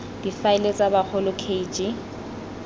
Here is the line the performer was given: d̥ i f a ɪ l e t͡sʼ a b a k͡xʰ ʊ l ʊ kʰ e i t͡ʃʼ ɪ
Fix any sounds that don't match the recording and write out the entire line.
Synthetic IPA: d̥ i f a ɪ l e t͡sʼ a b a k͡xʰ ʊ l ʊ kʰ e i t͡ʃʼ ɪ